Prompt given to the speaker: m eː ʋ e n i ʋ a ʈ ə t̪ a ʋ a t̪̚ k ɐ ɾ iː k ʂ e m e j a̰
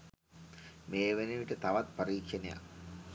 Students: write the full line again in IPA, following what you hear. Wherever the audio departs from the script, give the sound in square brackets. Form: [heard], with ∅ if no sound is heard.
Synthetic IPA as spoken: m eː ʋ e n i ʋ [i] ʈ ə t̪ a ʋ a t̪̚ [p] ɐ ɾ iː k ʂ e [n] e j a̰